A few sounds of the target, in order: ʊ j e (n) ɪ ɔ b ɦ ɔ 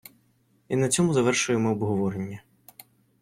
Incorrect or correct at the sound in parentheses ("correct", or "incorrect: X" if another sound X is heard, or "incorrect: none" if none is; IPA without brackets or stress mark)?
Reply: incorrect: m